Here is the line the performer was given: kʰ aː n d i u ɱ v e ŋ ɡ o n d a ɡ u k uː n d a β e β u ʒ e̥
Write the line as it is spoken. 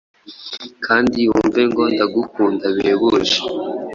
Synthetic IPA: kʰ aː n d i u ɱ v e ŋ ɡ o n d a ɡ u k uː n d a β e β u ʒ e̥